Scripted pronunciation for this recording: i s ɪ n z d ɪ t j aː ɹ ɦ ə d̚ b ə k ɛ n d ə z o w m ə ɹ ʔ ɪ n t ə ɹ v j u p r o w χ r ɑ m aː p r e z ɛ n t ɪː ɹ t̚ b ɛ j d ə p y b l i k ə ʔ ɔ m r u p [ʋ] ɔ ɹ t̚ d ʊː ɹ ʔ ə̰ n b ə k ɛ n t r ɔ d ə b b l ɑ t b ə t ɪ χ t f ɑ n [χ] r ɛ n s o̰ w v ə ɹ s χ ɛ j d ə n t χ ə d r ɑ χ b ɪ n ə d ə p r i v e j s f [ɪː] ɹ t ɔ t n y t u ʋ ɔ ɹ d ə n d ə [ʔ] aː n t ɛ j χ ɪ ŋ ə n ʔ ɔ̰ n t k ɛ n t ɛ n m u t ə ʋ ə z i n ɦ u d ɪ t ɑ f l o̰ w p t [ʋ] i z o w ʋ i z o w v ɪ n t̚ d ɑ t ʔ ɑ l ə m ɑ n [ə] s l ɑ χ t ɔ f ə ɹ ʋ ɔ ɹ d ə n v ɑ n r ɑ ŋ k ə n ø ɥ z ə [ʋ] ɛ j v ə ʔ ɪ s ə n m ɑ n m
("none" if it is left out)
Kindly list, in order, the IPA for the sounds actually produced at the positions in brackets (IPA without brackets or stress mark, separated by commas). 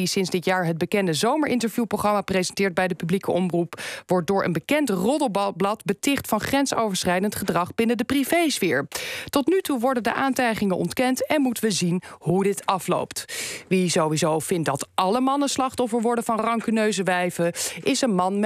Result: ʋ, χ, ɪː, ʔ, ʋ, ə, ʋ